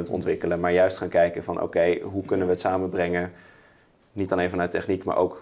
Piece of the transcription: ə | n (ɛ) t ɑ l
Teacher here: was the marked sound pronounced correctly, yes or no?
no